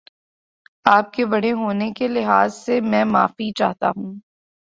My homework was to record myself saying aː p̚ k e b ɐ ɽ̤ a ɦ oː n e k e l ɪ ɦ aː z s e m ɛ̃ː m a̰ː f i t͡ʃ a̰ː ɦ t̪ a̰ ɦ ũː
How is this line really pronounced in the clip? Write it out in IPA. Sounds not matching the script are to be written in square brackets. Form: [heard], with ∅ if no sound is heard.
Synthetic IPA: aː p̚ k e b ɐ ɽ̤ [e] ɦ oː n e k e l ɪ ɦ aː z s e m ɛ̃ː m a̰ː f i t͡ʃ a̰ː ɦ t̪ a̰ ɦ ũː